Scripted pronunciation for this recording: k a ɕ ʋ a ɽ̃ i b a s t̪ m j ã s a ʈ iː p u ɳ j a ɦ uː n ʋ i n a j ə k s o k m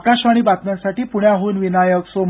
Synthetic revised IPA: k a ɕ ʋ a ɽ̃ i b a t̪ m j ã s a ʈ iː p u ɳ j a ɦ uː n ʋ i n a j ə k s o m